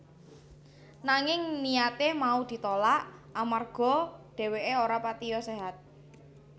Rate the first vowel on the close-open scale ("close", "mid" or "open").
open